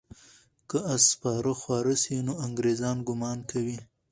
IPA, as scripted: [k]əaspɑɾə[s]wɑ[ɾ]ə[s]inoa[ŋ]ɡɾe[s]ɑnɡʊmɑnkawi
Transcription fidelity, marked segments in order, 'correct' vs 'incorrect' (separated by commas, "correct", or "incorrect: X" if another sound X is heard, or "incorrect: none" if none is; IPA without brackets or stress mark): correct, incorrect: x, correct, correct, correct, incorrect: z